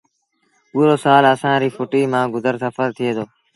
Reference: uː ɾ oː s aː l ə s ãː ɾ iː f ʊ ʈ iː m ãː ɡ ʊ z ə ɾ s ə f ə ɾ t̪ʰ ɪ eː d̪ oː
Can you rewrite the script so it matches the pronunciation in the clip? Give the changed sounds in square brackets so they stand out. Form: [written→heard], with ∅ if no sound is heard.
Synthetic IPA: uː ɾ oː s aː l ə s ãː ɾ iː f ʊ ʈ iː m ãː ɡ ʊ z ə ɾ s ə f ə ɾ t̪ʰ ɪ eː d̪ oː